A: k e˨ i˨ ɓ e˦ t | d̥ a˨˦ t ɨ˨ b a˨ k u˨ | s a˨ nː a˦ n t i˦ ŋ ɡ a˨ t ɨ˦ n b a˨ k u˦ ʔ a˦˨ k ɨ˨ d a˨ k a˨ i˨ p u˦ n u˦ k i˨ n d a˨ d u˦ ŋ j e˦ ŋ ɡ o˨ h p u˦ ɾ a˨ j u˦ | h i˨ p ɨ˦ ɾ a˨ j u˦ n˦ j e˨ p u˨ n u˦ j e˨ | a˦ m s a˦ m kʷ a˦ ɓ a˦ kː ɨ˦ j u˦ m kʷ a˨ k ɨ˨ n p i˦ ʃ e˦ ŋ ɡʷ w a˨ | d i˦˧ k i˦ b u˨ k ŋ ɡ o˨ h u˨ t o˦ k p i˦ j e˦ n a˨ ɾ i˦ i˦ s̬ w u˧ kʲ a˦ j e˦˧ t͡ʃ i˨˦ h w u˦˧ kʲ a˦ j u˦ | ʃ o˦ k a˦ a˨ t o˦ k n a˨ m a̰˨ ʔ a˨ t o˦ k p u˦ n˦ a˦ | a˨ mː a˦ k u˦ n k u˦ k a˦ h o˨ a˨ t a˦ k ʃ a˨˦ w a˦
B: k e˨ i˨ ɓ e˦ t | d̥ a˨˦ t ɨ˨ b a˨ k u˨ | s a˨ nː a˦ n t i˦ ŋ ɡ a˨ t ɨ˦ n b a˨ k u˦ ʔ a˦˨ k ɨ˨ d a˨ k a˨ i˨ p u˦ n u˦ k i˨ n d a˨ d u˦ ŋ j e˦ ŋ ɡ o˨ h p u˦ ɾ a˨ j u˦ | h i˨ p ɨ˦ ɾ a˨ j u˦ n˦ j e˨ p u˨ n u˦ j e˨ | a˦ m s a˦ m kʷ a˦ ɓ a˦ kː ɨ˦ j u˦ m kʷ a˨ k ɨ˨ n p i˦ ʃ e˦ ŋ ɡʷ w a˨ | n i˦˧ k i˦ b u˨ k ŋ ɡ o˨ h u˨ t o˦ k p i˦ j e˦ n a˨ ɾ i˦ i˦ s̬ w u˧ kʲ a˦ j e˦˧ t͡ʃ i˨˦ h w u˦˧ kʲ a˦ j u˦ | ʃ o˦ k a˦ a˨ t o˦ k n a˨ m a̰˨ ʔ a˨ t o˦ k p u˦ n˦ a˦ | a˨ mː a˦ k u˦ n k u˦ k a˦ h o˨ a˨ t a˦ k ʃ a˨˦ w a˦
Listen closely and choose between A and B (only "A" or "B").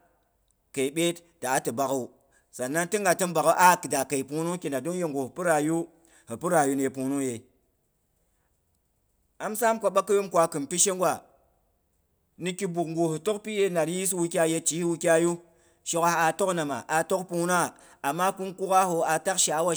B